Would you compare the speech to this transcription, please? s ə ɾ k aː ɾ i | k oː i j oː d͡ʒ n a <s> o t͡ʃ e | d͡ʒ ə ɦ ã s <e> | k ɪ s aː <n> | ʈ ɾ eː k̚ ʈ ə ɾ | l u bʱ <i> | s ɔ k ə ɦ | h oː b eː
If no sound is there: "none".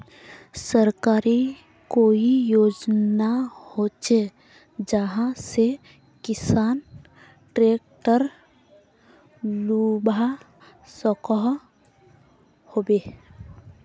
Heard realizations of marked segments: h, e, n, a

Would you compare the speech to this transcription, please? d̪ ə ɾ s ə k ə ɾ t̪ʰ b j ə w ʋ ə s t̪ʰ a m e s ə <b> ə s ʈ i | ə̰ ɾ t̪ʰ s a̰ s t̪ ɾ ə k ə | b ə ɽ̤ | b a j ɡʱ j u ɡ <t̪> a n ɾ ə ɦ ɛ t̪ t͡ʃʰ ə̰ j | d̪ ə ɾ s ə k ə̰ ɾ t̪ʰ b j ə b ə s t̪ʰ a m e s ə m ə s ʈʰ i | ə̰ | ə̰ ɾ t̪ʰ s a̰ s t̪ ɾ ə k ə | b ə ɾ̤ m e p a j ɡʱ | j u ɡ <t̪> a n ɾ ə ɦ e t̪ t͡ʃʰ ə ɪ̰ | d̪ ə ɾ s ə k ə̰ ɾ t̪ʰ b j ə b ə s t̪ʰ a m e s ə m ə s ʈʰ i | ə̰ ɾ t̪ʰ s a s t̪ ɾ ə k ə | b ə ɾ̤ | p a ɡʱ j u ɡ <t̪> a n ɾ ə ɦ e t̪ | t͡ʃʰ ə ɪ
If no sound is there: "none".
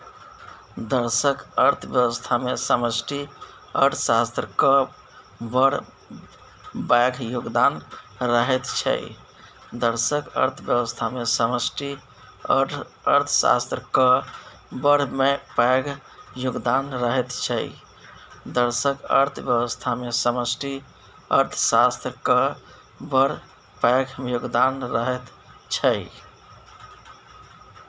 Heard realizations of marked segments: m, d̪, d̪, d̪

